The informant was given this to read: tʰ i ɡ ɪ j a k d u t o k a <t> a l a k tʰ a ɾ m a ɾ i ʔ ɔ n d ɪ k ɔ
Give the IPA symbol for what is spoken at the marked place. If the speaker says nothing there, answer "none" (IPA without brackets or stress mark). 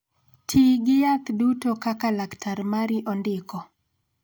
k